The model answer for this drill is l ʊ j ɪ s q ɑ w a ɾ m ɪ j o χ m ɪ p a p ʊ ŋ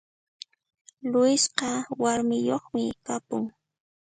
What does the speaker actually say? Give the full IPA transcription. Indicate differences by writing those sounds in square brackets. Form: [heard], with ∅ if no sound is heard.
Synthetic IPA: l ʊ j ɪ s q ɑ w a ɾ m ɪ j o χ m ɪ [k] a p ʊ ŋ